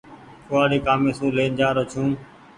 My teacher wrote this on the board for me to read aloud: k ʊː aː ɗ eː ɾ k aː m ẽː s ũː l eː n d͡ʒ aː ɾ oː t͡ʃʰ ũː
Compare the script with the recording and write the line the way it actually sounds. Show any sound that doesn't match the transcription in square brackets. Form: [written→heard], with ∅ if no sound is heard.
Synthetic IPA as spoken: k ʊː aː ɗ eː [ɾ→∅] k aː m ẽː s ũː l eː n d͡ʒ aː ɾ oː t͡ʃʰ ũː